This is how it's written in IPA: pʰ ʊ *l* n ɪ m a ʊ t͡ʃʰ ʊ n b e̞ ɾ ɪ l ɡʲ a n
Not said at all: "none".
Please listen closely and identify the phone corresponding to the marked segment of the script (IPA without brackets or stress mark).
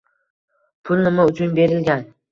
l